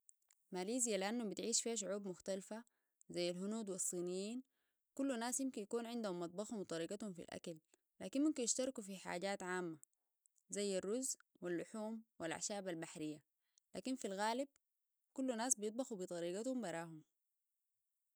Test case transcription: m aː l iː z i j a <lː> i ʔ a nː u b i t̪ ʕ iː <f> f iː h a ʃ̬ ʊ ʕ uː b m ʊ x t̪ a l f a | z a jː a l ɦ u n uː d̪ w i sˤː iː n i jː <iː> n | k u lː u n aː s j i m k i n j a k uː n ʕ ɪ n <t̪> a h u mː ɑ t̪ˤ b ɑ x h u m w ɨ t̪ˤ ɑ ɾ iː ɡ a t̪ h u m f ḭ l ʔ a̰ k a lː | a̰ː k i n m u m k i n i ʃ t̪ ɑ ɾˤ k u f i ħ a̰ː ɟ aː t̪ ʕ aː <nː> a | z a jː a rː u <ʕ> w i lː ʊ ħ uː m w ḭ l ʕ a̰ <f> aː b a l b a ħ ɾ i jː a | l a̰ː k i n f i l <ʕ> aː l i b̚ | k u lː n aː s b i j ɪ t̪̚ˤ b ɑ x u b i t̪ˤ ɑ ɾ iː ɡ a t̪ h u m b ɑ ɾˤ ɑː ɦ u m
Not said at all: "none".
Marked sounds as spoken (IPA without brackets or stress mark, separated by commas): l, ʃ, iː, d̪, mː, z, ʃ, ɣ